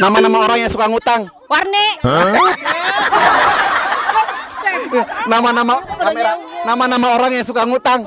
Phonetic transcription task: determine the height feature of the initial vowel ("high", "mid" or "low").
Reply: low